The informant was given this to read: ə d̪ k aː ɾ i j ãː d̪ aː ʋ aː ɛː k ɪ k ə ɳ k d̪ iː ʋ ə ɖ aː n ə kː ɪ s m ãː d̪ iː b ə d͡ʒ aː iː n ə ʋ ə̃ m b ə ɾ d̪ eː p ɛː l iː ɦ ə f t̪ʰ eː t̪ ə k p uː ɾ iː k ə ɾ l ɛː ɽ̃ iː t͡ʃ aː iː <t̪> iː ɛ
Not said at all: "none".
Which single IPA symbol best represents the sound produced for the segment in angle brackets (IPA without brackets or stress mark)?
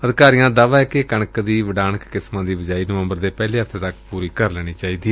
d̪